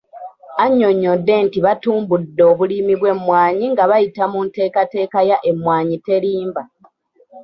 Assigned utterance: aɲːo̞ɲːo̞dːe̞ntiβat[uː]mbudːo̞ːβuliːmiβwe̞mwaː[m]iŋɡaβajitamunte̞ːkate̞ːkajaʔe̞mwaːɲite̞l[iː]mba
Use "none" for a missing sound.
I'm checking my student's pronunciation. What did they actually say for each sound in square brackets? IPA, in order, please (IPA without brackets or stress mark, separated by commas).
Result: uː, ɲ, iː